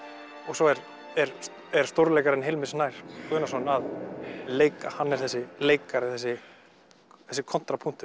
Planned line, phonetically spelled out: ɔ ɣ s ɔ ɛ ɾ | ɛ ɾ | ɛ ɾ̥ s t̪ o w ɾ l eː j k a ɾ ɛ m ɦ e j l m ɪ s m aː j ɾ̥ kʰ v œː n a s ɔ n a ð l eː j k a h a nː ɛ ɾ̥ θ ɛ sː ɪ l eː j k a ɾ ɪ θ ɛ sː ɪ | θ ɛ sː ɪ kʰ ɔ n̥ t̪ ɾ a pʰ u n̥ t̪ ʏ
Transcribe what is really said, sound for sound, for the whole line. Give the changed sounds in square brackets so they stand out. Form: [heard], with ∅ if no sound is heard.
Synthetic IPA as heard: ɔ ɣ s ɔ ɛ ɾ | ɛ ɾ | ɛ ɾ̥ s t̪ o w ɾ l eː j k a ɾ ɛ [n] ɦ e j l m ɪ s [n] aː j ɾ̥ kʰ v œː n a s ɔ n a ð l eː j k a h a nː ɛ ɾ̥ θ ɛ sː ɪ l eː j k a ɾ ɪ θ ɛ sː ɪ | θ ɛ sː ɪ kʰ ɔ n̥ t̪ ɾ a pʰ u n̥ t̪ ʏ